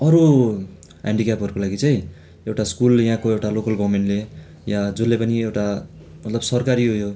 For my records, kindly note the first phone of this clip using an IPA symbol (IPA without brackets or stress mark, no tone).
ʌ